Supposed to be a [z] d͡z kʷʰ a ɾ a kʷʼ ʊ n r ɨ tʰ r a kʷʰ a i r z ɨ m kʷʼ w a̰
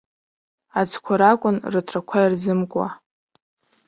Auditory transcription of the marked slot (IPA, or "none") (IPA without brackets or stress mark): none